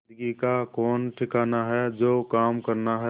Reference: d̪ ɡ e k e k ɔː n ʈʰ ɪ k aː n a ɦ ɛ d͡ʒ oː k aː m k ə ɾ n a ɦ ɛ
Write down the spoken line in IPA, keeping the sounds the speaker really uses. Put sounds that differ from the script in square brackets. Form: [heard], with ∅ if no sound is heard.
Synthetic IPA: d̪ ɡ [i] k [a] k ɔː n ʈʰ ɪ k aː n a ɦ ɛ d͡ʒ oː k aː m k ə ɾ n a ɦ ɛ

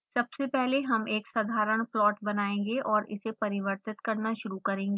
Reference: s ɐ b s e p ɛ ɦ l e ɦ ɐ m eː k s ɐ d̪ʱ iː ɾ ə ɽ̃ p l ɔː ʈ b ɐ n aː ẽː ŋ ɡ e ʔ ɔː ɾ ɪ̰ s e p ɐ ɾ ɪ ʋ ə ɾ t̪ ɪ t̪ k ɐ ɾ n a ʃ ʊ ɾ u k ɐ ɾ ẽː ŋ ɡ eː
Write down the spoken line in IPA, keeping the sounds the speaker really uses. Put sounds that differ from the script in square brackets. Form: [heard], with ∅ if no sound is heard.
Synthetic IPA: s ɐ b s e p ɛ ɦ l e ɦ ɐ m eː k s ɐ d̪ʱ [aː] ɾ ə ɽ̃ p l ɔː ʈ b ɐ n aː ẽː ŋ ɡ e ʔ ɔː ɾ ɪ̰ s e p ɐ ɾ ɪ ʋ ə ɾ t̪ ɪ t̪ k ɐ ɾ n a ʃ ʊ ɾ u k ɐ ɾ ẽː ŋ ɡ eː

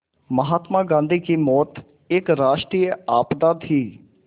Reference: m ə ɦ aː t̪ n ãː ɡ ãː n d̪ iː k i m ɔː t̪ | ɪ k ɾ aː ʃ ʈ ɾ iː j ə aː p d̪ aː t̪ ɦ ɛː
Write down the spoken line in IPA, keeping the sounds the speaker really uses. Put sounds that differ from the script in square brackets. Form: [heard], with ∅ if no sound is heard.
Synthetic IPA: m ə ɦ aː t̪ [m] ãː ɡ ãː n d̪ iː k i m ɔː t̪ | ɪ k ɾ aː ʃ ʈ ɾ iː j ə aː p d̪ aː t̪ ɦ [iː]

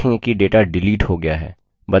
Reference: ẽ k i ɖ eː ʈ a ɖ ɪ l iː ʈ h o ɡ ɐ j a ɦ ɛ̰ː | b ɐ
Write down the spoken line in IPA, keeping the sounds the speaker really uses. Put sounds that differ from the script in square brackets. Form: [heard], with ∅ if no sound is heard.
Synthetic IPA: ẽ k i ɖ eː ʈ a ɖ ɪ l iː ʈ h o ɡ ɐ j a ɦ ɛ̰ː | b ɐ

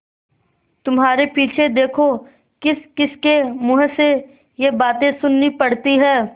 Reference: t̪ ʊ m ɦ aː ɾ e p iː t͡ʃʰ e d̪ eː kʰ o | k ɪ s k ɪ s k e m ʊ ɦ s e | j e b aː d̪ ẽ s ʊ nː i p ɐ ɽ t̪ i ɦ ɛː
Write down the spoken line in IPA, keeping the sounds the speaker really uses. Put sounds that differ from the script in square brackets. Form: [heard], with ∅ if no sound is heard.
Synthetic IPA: t̪ ʊ m ɦ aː ɾ e p iː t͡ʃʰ e d̪ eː kʰ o | k ɪ s k ɪ s k e m ʊ ɦ s e | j e b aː [t̪] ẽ s ʊ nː i p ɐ ɽ t̪ i ɦ ɛː

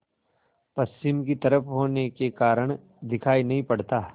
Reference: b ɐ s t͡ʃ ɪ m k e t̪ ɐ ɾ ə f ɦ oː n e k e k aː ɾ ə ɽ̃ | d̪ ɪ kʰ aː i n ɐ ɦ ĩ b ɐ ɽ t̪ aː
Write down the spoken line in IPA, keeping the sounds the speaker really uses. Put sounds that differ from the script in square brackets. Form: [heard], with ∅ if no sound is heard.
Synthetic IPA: [p] ɐ s t͡ʃ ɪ m k [i] t̪ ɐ ɾ ə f ɦ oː n e k e k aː ɾ ə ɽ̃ | d̪ ɪ kʰ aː i n ɐ ɦ ĩ [p] ɐ ɽ t̪ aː

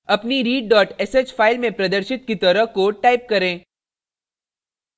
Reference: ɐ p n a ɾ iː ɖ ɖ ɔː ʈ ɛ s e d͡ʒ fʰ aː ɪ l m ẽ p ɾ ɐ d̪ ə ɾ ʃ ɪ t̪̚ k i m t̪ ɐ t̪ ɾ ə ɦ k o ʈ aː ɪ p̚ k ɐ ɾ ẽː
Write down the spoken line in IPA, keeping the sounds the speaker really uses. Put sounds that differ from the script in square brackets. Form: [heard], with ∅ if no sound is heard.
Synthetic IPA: ɐ p n [i] ɾ iː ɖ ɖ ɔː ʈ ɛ s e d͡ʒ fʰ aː ɪ l m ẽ p ɾ ɐ d̪ ə ɾ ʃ ɪ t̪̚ k i [∅] t̪ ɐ [∅] ɾ ə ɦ k o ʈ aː ɪ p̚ k ɐ ɾ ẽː

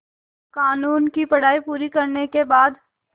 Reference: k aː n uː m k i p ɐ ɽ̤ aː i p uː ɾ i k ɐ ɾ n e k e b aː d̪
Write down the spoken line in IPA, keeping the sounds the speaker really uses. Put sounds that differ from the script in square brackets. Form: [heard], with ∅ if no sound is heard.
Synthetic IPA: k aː n uː [n] k i p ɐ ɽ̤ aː i p uː ɾ i k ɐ ɾ n e k e b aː d̪

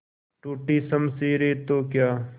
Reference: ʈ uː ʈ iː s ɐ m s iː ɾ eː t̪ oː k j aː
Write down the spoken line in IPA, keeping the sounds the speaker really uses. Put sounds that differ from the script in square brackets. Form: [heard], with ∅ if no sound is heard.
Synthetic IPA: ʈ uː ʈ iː s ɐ m s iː ɾ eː t̪ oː k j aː

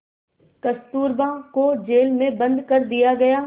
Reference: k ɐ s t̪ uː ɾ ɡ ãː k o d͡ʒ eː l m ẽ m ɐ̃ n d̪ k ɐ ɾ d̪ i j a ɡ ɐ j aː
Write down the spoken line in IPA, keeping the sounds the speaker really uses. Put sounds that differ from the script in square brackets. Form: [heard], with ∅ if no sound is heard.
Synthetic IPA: k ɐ s t̪ uː ɾ [b] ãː k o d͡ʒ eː l m ẽ [b] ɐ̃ n d̪ k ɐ ɾ d̪ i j a ɡ ɐ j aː

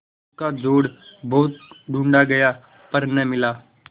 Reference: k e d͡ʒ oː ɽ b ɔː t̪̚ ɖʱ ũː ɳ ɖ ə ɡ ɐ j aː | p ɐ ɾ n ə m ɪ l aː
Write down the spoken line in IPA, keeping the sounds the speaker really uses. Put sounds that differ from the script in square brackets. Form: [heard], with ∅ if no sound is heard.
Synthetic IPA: k [a] d͡ʒ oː ɽ b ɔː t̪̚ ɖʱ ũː ɳ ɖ [a] ɡ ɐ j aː | p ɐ ɾ n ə m ɪ l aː

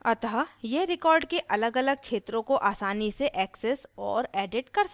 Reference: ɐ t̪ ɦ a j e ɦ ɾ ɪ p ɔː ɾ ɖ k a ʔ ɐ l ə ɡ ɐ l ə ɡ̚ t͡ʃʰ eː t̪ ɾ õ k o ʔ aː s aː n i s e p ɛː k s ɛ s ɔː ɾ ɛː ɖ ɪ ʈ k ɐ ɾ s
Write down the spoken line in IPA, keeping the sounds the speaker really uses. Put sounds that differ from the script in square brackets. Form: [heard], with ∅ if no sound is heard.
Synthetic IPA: ɐ t̪ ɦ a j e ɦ ɾ ɪ [k] ɔː ɾ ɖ k [e] ʔ ɐ l ə ɡ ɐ l ə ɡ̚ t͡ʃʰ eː t̪ ɾ õ k o ʔ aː s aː n i s e [ʔ] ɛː k s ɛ s ɔː ɾ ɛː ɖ ɪ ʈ k ɐ ɾ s

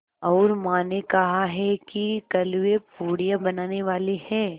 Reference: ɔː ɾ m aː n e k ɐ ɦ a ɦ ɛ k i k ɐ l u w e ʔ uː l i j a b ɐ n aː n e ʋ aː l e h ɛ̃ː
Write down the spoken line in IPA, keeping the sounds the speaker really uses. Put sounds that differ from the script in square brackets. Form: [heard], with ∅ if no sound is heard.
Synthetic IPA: ɔː ɾ m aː n e k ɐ ɦ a ɦ ɛ k i k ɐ l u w e [p] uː [ɽ] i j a b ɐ n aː n e ʋ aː l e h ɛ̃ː

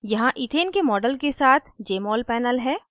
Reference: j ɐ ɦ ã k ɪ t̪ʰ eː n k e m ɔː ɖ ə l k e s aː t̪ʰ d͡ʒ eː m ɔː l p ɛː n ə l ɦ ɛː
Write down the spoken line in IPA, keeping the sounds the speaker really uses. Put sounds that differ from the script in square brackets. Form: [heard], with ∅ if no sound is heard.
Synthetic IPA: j ɐ ɦ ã [ʔ] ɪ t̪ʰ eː n k e m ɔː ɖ ə l k e s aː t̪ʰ d͡ʒ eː m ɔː l p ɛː n ə l ɦ ɛː

